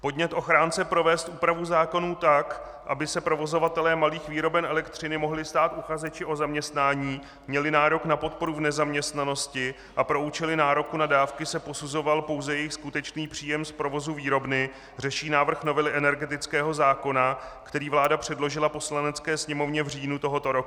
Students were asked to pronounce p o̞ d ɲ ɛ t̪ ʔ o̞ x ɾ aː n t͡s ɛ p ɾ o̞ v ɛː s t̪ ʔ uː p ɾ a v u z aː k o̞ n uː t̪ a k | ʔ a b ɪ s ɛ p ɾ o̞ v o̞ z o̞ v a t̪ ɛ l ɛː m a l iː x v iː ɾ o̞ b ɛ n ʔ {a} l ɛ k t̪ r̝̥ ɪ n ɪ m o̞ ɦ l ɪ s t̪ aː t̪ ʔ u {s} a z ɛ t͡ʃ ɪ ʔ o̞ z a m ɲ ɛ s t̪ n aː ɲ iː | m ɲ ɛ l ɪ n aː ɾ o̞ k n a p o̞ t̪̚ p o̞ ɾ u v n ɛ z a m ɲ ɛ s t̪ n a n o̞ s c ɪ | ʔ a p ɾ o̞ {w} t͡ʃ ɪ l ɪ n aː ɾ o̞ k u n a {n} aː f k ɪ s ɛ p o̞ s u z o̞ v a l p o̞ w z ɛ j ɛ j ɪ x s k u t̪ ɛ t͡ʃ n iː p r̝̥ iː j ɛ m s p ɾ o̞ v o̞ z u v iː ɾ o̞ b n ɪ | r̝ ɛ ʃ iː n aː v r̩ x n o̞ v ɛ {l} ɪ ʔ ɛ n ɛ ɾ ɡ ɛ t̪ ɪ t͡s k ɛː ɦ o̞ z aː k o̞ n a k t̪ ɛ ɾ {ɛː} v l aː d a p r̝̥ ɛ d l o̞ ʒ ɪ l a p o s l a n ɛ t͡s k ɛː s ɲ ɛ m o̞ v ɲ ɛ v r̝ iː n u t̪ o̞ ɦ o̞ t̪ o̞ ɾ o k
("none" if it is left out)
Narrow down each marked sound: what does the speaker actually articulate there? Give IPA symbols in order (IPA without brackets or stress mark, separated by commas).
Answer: ɛ, x, u, d, l, iː